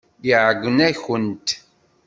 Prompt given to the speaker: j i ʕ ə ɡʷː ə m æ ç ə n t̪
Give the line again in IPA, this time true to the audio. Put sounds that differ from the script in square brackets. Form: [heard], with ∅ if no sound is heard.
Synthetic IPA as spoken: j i ʕ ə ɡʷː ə [n] æ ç ə n t̪